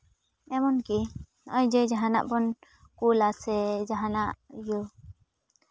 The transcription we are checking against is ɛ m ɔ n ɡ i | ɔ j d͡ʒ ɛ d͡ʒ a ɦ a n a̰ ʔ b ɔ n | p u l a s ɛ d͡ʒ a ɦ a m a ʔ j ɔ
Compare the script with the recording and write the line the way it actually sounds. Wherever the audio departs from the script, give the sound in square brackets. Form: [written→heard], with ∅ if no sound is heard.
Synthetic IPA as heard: ɛ m ɔ n [ɡ→k] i | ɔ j d͡ʒ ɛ d͡ʒ a ɦ a n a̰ ʔ b ɔ n | [p→k] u l a s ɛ d͡ʒ a ɦ a [m→n] a ʔ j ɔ